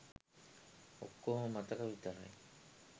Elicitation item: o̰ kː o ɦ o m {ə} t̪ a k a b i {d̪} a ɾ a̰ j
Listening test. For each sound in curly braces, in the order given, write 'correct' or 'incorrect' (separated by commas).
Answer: incorrect, incorrect